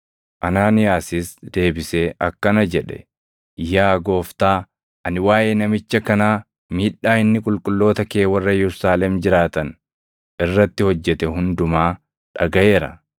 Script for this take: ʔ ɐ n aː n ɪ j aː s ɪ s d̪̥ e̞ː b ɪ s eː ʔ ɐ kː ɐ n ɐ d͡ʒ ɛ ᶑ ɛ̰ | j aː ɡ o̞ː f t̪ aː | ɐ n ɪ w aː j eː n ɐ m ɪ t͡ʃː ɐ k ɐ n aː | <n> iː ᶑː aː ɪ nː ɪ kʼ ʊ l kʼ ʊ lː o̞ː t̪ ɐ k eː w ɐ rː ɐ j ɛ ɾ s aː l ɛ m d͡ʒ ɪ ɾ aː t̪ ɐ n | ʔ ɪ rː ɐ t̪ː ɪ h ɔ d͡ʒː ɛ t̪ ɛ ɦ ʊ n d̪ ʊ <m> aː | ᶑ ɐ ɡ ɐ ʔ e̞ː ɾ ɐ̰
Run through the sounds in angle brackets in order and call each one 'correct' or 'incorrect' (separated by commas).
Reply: incorrect, correct